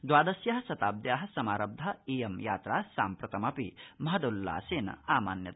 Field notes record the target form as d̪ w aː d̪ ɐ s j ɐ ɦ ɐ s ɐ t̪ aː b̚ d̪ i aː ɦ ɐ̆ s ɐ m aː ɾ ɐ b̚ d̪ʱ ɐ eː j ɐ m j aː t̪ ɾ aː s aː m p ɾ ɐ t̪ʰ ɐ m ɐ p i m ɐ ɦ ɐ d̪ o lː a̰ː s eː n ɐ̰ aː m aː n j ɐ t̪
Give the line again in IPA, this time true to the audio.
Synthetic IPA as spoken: d̪ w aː d̪ ɐ s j ɐ ɦ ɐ s ɐ t̪ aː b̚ d̪ j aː ɦ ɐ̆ s ɐ m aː ɾ ɐ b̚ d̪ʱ ɐ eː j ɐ m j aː t̪ ɾ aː s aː m p ɾ ɐ t̪ ɐ m ɐ p i m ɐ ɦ ɐ d̪ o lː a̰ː s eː n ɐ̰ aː m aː n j ɐ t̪